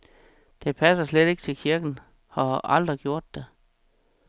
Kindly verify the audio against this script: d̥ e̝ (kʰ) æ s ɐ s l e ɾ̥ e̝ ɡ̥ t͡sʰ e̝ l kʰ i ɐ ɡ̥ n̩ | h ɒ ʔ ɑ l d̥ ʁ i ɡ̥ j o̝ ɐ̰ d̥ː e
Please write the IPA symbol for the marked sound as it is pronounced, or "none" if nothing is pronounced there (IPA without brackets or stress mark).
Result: pʰ